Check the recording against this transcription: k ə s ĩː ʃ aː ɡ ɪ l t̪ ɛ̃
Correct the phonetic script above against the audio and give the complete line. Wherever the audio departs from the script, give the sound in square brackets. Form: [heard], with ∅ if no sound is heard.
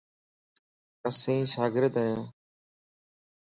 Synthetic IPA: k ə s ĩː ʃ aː ɡ ɪ [ɾ] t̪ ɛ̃

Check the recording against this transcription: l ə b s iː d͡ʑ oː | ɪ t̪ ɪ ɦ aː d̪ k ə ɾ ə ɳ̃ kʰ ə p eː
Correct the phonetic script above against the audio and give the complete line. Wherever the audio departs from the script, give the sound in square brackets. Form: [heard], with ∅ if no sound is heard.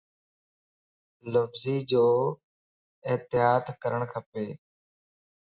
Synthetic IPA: l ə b [z] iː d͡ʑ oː | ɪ t̪ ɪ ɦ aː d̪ k ə ɾ ə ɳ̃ kʰ ə p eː

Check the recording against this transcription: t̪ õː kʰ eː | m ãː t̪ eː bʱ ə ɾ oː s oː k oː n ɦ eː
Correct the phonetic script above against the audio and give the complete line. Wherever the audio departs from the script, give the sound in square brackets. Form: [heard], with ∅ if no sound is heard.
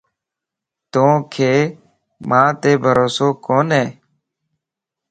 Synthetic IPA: t̪ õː kʰ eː | m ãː t̪ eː bʱ ə ɾ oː s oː k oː n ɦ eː

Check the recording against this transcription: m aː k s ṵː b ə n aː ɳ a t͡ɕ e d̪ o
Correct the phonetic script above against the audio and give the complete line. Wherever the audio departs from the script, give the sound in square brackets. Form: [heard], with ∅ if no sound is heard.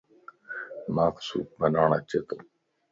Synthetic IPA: m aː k s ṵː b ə n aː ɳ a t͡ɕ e [t̪] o

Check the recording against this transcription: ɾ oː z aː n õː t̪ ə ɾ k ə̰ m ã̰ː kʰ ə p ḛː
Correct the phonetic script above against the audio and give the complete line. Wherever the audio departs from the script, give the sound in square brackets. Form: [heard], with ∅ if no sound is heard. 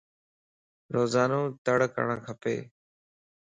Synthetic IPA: ɾ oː z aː n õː t̪ ə [ɽ] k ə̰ [ɳ] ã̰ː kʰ ə p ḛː

